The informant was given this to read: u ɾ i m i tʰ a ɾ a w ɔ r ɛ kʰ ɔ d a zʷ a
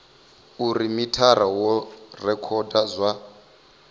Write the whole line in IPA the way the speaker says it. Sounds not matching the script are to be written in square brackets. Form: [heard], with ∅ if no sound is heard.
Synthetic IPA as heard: u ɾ i m i tʰ a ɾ a w ɔ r ɛ kʰ ɔ d a zʷ a